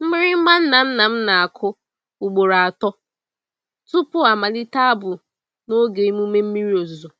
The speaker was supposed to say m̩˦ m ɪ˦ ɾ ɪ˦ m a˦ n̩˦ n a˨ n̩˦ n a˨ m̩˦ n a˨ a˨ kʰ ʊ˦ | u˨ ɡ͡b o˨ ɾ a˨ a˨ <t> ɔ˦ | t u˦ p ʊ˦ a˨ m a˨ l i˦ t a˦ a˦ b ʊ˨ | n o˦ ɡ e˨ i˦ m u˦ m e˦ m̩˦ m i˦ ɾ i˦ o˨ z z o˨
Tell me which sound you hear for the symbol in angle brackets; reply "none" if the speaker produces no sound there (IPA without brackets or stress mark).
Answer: t